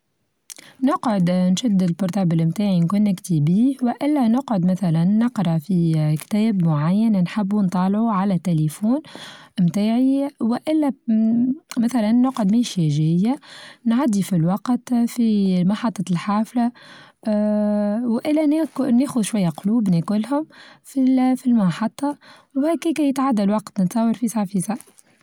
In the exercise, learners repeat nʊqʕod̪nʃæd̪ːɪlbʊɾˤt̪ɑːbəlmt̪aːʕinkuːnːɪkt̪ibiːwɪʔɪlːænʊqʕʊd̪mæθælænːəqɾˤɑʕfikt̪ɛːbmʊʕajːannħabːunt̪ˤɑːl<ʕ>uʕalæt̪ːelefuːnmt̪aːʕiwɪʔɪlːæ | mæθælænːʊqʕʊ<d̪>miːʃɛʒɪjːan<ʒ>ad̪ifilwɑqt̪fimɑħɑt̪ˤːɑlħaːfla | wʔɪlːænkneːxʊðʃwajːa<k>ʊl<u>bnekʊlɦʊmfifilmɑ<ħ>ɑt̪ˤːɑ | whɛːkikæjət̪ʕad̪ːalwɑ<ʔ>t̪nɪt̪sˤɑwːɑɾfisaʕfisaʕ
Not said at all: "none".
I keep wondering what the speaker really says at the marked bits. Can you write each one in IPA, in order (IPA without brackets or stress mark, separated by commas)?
ʕ, d̪, ʕ, q, uː, ħ, q